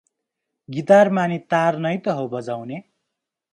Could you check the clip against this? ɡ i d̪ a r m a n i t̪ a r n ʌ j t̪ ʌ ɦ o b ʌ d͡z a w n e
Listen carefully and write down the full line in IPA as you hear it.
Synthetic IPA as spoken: ɡ i t̪ a r m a n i t̪ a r n ʌ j t̪ ʌ ɦ o b ʌ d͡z a w n e